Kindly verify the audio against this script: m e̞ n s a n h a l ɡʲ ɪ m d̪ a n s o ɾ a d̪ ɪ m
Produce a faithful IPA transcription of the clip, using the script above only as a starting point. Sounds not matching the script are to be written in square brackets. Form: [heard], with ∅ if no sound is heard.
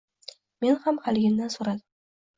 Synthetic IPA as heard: m e̞ n [h] a [m] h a l ɡʲ ɪ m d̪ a n s o ɾ a d̪ ɪ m